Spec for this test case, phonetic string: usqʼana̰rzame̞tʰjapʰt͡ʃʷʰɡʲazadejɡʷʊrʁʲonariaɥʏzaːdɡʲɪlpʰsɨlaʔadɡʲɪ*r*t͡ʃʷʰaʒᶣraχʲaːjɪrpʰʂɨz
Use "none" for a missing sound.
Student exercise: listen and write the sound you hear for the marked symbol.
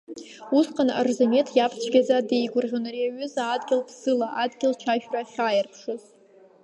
l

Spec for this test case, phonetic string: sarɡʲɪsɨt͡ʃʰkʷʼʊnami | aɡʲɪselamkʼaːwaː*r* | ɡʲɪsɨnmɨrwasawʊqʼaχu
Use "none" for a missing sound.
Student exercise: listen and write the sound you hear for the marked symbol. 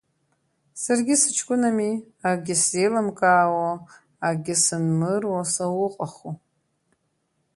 none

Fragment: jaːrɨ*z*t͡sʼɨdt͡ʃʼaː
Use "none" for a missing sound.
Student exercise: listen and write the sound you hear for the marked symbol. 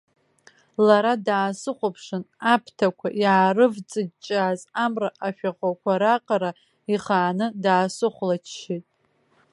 v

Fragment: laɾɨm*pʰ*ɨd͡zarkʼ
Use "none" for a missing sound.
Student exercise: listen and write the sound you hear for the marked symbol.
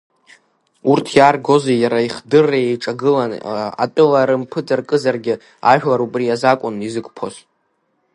pʰ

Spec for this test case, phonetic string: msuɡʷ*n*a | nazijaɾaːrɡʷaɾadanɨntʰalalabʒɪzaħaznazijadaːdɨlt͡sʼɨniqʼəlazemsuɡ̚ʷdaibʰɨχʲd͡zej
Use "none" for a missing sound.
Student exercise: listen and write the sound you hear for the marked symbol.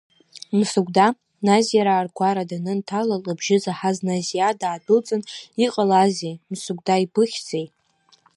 d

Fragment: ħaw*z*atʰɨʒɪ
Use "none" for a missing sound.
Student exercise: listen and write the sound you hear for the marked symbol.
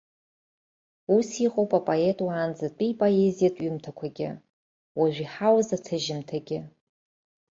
z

